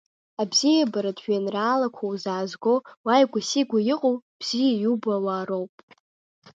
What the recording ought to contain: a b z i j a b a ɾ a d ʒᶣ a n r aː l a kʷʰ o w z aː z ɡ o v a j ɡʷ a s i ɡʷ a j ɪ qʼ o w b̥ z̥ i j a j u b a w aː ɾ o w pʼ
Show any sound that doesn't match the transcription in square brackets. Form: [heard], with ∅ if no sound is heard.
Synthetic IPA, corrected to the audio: a b z i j a b a ɾ a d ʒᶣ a n r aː l a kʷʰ o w z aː z ɡ o [w] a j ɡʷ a s i ɡʷ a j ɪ qʼ o w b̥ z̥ i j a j u b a w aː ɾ o w pʼ